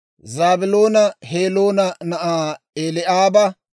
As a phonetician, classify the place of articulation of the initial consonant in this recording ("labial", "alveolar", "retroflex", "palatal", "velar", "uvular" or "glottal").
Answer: alveolar